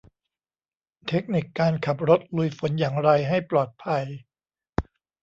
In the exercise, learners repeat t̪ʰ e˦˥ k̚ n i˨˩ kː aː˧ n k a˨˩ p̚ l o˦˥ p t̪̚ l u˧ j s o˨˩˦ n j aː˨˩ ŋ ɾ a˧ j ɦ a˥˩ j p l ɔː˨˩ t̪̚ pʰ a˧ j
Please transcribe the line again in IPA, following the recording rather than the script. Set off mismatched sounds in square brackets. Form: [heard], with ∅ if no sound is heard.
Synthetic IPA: t̪ʰ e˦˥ k̚ n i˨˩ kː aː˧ n [kʰ] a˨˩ p̚ [ɾ] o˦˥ [∅] t̪̚ l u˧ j [f] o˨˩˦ n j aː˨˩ ŋ ɾ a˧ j ɦ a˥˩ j p l ɔː˨˩ t̪̚ pʰ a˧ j